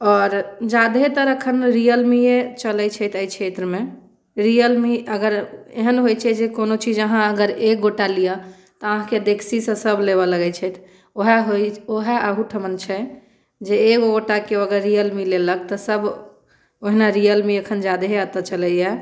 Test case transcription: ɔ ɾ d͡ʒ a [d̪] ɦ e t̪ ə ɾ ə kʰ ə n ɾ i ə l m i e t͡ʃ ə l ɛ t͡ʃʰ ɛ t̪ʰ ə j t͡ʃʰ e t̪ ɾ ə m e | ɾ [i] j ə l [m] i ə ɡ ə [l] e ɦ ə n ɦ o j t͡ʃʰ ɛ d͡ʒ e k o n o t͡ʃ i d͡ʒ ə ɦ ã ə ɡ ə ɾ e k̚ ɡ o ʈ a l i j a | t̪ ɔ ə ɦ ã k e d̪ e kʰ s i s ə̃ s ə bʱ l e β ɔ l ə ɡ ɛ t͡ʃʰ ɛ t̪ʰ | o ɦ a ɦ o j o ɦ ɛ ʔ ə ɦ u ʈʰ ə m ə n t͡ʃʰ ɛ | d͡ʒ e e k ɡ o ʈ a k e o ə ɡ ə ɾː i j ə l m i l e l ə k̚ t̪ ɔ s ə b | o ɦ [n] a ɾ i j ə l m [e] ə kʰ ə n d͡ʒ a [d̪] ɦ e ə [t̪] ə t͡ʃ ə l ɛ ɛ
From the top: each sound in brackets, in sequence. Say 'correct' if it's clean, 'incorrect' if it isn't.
correct, correct, correct, incorrect: ɾ, correct, incorrect: i, correct, correct

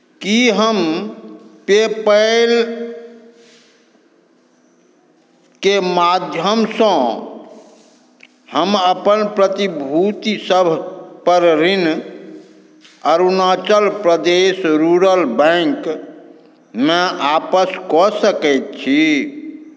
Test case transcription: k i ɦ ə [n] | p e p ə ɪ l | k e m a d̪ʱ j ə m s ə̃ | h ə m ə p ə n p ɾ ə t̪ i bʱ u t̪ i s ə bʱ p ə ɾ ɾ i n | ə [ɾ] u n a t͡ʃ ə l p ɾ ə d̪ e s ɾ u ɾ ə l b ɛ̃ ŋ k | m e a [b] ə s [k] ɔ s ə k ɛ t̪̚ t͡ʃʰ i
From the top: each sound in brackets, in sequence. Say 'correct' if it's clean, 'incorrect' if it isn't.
incorrect: m, correct, incorrect: p, correct

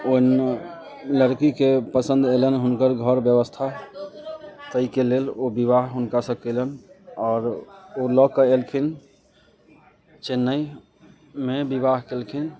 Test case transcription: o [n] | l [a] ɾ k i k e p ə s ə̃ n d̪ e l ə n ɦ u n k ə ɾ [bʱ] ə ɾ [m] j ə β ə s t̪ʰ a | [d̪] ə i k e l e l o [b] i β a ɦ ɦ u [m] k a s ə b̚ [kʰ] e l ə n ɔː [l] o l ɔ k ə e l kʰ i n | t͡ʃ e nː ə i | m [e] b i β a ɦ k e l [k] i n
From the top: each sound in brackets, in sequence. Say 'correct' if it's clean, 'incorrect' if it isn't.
correct, incorrect: ə, incorrect: ɡʱ, incorrect: b, incorrect: t̪, correct, incorrect: n, incorrect: k, incorrect: ɾ, correct, incorrect: kʰ

